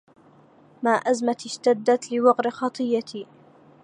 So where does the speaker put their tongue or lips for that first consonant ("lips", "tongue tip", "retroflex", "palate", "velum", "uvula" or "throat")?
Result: lips